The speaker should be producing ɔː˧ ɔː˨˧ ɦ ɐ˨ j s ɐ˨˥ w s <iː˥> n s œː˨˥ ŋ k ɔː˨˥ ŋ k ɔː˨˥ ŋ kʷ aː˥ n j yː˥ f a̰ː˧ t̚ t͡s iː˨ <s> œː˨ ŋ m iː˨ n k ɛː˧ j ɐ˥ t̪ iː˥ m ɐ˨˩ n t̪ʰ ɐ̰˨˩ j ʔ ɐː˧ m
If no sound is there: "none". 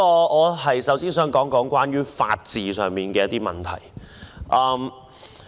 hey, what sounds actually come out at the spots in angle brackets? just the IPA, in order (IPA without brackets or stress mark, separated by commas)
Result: iː˥, s